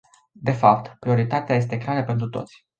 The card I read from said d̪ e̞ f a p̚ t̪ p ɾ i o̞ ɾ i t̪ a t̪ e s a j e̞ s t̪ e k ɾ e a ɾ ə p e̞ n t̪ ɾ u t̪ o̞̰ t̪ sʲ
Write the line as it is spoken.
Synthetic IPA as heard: d̪ e̞ f a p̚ t̪ p ɾ i o̞ ɾ i t̪ a t̪ e a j e̞ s t̪ e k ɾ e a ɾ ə p e̞ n t̪ ɾ u t̪ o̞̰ t̪ sʲ